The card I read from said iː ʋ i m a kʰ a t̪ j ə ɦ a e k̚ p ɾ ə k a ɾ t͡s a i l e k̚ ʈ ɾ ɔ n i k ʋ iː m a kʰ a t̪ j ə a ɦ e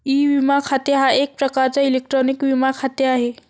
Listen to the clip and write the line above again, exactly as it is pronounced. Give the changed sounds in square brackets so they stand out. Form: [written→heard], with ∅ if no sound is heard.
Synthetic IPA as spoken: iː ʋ i m a kʰ a t̪ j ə ɦ a e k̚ p ɾ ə k a ɾ t͡s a i l e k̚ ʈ ɾ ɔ n i k ʋ [iː→i] m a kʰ a t̪ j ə a ɦ e